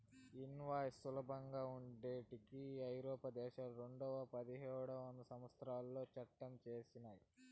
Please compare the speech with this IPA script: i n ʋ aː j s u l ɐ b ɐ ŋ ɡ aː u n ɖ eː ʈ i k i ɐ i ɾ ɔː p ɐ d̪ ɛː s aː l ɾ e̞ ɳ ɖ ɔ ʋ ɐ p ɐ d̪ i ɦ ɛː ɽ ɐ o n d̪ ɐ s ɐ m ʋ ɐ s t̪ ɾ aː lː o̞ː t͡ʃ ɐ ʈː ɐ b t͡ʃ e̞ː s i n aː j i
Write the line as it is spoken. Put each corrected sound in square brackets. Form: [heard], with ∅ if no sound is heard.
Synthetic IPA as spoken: i n ʋ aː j s u l ɐ b ɐ ŋ ɡ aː u [ɳ] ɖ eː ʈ i k i ɐ [j] ɾ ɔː p ɐ d̪ ɛː [ʃ] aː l ɾ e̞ ɳ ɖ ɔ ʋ ɐ p ɐ d̪ i ɦ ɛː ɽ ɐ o n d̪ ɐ s ɐ m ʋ ɐ s t̪ ɾ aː lː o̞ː t͡ʃ ɐ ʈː ɐ [m] t͡ʃ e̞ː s i n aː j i